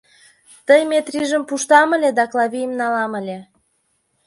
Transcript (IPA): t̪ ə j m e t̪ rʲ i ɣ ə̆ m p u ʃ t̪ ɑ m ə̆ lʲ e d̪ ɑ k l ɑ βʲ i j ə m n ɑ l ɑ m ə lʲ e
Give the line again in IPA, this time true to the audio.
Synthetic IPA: t̪ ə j m e t̪ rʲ i ʒ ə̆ m p u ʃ t̪ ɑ m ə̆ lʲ e d̪ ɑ k l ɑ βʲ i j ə m n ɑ l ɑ m ə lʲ e